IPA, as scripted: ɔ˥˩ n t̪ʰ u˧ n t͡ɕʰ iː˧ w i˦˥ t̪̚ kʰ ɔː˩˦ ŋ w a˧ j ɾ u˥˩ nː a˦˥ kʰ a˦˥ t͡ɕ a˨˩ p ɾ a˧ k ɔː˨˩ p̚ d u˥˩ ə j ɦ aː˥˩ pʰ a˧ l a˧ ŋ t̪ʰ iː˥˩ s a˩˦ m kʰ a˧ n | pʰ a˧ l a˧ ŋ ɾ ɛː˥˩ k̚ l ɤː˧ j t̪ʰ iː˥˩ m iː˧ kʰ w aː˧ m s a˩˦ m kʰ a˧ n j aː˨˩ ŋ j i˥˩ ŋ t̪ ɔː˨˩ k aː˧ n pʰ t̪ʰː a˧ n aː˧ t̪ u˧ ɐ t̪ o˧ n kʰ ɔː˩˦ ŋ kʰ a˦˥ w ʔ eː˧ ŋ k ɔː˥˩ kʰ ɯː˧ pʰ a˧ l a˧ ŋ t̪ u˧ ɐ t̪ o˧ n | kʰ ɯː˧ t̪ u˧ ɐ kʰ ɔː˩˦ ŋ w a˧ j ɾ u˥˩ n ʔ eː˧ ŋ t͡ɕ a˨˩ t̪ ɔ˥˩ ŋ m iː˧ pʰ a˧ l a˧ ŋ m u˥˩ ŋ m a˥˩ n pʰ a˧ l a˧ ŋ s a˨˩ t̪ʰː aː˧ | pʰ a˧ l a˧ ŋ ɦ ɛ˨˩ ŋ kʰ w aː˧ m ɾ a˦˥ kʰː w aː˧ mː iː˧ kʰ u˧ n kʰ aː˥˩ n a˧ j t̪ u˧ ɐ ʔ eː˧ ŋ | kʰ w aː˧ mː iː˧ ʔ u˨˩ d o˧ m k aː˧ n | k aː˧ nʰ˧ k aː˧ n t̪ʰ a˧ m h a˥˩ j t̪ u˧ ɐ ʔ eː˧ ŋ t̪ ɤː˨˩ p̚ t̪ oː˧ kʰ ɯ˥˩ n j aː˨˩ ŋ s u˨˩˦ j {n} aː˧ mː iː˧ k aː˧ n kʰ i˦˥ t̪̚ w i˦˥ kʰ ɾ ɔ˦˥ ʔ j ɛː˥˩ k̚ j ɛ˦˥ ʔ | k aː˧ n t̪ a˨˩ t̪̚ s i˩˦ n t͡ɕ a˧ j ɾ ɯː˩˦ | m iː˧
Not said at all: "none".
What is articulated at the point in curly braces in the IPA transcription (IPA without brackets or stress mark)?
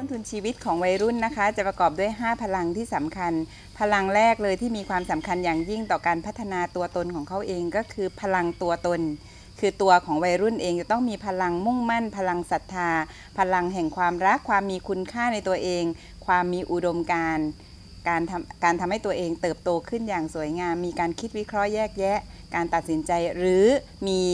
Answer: ŋ